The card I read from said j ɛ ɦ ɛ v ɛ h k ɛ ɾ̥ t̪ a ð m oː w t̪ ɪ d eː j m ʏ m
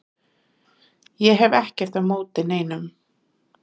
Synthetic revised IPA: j ɛ ɦ ɛ v ɛ h c ɛ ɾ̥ t̪ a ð m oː w t̪ ɪ n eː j n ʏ m